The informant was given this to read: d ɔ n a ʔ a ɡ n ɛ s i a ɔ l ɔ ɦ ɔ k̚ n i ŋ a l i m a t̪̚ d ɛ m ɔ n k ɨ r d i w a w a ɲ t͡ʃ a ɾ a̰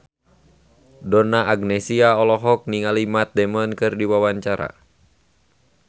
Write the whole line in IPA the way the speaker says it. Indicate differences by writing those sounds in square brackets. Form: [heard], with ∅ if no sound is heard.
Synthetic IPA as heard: d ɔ n a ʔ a ɡ n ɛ s i a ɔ l ɔ ɦ ɔ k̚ n i ŋ a l i m a t̪̚ d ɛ m ɔ n k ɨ r d i w a w a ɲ t͡ʃ a ɾ a̰